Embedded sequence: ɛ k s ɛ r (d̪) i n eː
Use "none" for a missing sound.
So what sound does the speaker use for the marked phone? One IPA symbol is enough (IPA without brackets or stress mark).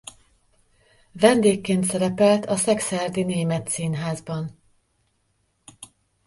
d̪